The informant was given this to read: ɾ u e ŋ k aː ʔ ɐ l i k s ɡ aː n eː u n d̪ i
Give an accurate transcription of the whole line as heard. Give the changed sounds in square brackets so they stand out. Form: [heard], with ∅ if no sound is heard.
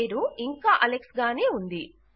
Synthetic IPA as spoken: ɾ u [i] ŋ k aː ʔ ɐ l [e] k s ɡ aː n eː u n d̪ i